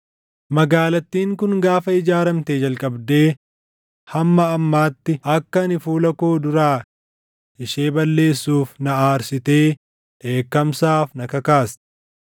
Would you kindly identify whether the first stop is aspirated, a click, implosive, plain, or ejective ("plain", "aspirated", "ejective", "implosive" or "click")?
plain